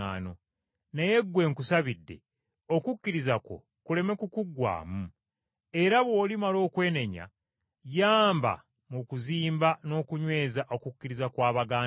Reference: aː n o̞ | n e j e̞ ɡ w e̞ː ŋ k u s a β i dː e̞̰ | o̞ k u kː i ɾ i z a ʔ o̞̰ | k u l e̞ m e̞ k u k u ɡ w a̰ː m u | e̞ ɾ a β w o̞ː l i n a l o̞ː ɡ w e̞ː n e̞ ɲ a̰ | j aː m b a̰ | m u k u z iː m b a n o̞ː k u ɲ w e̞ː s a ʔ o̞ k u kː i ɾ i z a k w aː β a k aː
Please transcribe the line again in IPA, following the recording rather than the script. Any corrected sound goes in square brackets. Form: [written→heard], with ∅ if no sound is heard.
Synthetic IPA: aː n o̞ | n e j e̞ ɡ w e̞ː ŋ k u s a β i dː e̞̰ | o̞ k u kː i ɾ i z a [ʔ→k] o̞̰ | k u l e̞ m e̞ k u k u ɡ w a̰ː m u | e̞ ɾ a β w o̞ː l i [n→m] a l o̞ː [ɡ→k] w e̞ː n e̞ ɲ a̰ | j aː m b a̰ | m u k u z iː m b a n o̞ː k u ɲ w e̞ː [s→z] a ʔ o̞ k u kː i ɾ i z a k w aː β a [k→ɡ] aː